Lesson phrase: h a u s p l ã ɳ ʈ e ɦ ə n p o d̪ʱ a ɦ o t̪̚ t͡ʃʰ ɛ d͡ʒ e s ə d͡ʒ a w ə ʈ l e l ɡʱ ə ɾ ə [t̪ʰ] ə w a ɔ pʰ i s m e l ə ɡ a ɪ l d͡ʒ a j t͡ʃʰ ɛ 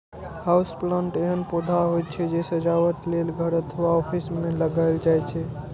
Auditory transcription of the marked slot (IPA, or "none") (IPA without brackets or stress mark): t̪ʰ